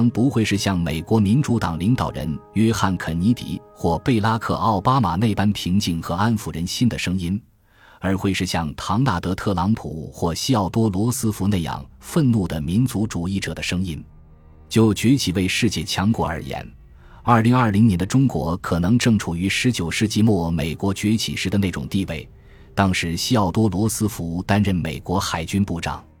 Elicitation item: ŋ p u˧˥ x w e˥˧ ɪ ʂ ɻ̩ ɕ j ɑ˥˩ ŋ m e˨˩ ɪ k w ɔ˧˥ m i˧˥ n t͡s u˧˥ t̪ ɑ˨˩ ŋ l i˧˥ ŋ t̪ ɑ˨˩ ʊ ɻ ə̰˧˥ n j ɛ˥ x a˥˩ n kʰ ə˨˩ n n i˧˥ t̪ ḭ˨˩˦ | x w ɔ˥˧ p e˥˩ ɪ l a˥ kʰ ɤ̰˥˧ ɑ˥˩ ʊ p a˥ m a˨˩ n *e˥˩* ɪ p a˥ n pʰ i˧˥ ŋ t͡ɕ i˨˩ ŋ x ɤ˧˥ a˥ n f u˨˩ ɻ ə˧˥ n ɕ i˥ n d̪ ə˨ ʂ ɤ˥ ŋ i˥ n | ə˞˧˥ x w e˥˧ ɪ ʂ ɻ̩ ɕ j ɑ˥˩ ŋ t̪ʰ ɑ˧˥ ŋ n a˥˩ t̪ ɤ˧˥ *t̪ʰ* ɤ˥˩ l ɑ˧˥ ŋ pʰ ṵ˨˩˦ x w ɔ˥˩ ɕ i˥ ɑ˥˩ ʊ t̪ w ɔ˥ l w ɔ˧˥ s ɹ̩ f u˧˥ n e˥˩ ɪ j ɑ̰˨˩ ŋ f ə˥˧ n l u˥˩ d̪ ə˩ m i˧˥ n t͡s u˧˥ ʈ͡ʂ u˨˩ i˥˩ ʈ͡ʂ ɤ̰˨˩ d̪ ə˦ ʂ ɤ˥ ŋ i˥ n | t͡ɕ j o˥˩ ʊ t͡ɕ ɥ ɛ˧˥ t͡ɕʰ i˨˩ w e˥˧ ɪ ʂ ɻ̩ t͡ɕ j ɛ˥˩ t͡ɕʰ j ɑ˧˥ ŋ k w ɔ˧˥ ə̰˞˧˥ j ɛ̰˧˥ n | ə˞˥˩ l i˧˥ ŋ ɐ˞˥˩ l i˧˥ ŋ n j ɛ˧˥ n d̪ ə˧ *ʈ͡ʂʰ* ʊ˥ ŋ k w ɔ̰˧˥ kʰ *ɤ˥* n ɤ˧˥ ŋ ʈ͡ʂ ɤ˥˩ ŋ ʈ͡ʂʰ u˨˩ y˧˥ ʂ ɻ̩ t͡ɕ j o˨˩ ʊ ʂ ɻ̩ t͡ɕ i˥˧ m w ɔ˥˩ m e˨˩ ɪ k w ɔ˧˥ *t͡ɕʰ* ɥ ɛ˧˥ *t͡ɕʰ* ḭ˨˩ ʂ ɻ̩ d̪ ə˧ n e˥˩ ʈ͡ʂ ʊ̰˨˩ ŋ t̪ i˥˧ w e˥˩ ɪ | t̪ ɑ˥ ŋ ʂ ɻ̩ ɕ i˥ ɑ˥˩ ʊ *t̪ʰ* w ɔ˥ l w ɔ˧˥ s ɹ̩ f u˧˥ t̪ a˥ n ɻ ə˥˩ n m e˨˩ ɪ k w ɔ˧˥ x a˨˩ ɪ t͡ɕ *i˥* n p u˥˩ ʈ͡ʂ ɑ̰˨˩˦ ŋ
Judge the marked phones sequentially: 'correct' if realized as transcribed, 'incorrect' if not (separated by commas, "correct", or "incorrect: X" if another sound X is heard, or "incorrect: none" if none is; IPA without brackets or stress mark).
correct, correct, incorrect: ʈ͡ʂ, incorrect: ɤ˨˩, incorrect: t͡ɕ, correct, incorrect: t̪, incorrect: y˥